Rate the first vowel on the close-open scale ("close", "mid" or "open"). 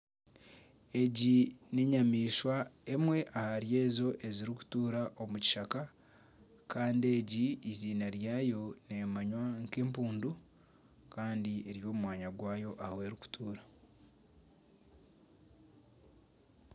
mid